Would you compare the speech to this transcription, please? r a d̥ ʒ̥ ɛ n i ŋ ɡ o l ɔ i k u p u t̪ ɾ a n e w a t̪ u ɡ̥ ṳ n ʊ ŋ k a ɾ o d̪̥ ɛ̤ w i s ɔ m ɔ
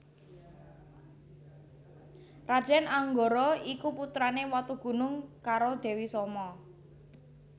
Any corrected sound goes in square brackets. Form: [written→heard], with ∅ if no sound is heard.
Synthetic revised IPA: r a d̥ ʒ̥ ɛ n [i→a] ŋ ɡ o [l→ɾ] ɔ i k u p u t̪ ɾ a n e w a t̪ u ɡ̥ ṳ n ʊ ŋ k a ɾ o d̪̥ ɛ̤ w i s ɔ m ɔ